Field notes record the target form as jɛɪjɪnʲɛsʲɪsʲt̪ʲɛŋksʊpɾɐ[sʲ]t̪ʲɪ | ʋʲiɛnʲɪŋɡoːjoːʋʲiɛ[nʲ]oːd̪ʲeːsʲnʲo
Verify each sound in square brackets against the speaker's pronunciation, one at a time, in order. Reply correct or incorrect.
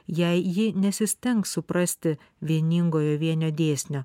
correct, correct

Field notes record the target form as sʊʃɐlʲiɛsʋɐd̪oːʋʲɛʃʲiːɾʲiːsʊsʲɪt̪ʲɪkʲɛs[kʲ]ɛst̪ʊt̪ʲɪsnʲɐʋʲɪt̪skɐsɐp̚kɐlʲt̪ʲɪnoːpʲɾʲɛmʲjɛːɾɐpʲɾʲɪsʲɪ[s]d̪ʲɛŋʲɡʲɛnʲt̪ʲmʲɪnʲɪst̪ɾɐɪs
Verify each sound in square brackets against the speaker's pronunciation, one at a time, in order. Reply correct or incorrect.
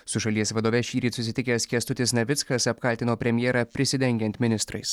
correct, incorrect: none

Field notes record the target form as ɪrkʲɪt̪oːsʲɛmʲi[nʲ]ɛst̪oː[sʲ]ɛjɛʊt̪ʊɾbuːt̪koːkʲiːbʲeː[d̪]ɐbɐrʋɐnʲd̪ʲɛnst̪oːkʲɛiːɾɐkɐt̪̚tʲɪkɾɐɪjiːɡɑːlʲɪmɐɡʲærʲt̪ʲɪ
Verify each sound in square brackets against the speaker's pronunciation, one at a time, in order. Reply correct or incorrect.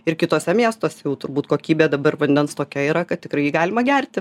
incorrect: none, correct, correct

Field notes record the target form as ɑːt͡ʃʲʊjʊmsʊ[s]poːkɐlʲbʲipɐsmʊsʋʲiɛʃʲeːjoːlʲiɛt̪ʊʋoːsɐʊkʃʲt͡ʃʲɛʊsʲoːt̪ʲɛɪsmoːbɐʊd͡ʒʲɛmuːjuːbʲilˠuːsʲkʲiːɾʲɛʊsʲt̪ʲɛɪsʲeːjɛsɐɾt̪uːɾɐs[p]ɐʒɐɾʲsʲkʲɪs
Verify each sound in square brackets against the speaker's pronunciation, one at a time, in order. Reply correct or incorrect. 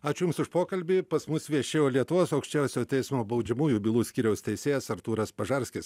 incorrect: ʃ, correct

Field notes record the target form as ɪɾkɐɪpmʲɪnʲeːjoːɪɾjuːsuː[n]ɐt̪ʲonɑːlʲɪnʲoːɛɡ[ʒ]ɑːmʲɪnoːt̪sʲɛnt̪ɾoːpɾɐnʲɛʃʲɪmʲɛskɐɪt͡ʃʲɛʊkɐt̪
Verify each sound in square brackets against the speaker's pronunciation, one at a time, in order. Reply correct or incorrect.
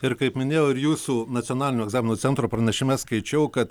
correct, incorrect: z

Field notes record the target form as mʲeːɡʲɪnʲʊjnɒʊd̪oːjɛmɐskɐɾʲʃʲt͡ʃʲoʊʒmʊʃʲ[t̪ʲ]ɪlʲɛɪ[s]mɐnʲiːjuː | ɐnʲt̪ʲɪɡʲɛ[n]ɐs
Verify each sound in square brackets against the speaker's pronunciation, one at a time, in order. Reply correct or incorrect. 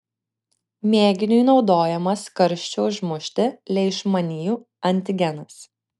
correct, incorrect: ʃ, correct

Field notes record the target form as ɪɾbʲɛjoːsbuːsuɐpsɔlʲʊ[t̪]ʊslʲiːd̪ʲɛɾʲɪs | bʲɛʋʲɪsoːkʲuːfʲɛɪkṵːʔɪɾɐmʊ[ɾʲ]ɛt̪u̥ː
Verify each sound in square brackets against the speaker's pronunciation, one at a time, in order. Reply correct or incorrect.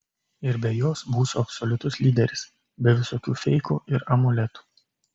correct, incorrect: lʲ

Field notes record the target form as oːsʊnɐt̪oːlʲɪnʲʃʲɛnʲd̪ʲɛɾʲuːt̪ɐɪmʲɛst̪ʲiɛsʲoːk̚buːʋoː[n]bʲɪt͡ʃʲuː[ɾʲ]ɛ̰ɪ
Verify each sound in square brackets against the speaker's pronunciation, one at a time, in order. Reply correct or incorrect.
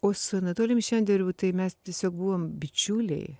incorrect: m, incorrect: lʲ

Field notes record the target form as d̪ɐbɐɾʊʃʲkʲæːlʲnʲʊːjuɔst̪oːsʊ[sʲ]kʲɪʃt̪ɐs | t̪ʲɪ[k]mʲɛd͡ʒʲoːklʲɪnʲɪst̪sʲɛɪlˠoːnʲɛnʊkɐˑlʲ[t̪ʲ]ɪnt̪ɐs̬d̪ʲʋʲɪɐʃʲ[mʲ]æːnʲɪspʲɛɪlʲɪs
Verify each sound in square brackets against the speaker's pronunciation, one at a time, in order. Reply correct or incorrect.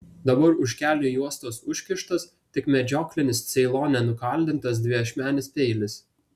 incorrect: ʃʲ, correct, incorrect: d̪ʲ, correct

